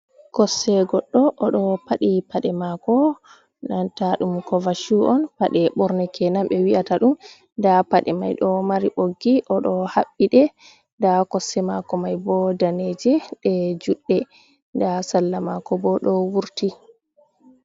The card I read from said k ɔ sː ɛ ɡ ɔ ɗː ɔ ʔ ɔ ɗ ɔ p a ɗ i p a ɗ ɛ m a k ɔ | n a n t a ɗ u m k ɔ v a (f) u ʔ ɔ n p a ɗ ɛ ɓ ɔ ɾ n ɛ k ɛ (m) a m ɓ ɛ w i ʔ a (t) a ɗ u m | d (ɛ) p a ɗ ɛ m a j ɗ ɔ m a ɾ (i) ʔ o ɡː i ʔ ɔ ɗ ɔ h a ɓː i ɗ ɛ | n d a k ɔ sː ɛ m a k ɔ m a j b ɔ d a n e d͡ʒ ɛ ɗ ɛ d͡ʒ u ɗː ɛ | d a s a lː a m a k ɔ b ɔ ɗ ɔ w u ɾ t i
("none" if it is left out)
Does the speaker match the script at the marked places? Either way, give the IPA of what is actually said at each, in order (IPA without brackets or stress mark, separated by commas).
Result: ʃ, n, t, a, i